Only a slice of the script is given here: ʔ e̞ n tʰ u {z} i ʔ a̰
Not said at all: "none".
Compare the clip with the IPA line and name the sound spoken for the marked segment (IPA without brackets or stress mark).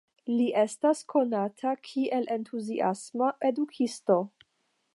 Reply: z